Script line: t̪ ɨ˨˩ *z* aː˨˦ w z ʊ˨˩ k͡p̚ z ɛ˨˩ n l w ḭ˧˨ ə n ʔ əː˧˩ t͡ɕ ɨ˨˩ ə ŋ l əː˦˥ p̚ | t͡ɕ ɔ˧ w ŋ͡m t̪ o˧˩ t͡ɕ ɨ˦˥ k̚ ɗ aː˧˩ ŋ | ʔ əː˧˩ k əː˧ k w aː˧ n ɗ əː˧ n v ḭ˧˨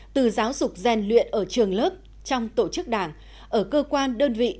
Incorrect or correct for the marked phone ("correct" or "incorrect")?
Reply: correct